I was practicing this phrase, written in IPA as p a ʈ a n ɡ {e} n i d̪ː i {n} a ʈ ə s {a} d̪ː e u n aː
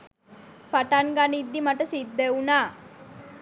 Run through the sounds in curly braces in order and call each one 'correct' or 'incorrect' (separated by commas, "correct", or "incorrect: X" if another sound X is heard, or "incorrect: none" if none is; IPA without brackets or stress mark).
incorrect: a, incorrect: m, incorrect: i